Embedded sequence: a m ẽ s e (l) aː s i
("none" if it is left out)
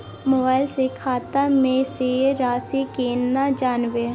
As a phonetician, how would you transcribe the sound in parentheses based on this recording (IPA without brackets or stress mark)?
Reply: ɾ